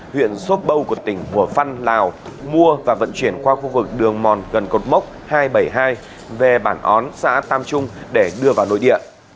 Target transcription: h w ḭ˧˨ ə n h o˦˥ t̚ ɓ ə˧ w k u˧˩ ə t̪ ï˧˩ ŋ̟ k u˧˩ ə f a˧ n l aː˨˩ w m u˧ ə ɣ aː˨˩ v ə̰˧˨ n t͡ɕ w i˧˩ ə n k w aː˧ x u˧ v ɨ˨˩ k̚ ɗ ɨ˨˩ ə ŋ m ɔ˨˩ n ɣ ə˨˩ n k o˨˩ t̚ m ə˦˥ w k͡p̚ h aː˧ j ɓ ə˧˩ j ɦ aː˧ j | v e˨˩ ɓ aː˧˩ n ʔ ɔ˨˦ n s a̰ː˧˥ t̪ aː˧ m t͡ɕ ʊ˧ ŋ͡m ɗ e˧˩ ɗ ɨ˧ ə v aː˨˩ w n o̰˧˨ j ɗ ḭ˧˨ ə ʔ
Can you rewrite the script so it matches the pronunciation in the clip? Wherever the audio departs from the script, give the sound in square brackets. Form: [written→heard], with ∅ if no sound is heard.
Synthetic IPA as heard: h w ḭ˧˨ ə n [h→s] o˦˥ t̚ ɓ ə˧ w k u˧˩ ə t̪ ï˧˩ ŋ̟ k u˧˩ ə f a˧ n l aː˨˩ w m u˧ ə [ɣ→v] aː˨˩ v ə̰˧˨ n t͡ɕ w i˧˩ ə n k w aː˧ x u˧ v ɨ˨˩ k̚ ɗ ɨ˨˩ ə ŋ m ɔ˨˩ n ɣ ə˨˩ n k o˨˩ t̚ m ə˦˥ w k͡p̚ h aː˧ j ɓ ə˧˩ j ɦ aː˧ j | v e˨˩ ɓ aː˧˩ n ʔ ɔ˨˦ n s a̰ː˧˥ t̪ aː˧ m t͡ɕ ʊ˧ ŋ͡m ɗ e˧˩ ɗ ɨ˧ ə v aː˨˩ w n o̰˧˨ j ɗ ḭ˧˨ ə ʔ